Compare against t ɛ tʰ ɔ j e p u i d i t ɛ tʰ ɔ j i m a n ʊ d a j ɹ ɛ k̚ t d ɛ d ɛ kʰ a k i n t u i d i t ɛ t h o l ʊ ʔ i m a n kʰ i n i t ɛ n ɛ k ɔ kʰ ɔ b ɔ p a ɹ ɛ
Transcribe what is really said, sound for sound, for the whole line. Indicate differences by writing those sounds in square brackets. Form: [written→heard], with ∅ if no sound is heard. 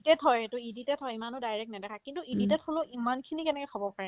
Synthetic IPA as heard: t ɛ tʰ ɔ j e [p→t] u i d i t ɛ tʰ ɔ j i m a n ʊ d a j ɹ ɛ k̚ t [d→n] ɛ d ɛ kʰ a k i n t u i d i t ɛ t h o l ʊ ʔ i m a n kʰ i n i [t→k] ɛ n ɛ k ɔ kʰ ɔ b ɔ p a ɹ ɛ